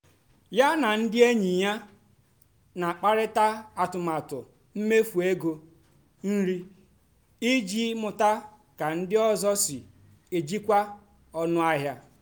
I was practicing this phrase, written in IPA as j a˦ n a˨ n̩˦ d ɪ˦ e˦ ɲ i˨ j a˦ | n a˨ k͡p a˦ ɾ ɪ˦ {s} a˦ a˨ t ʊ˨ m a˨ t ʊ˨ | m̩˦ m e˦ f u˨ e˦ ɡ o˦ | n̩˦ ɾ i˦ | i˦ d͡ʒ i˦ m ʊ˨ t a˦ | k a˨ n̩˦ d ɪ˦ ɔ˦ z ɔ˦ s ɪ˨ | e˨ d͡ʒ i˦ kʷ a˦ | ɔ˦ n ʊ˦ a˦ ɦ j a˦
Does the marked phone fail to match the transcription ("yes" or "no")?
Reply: yes